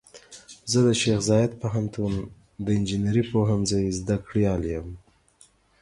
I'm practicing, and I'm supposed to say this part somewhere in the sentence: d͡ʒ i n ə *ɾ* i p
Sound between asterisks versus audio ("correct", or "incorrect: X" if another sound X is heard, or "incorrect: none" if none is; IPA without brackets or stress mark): correct